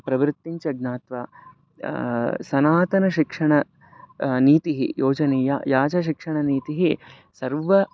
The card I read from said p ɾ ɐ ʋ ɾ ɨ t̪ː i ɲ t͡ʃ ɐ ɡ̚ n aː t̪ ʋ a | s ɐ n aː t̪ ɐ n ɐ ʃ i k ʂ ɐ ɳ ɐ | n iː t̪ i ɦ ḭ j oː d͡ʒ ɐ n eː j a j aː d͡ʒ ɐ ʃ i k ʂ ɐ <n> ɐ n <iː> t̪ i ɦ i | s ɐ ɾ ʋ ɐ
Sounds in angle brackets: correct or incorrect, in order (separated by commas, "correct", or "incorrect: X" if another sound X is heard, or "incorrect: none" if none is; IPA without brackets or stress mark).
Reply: incorrect: ɳ, correct